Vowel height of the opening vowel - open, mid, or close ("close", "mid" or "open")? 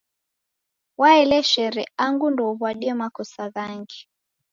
open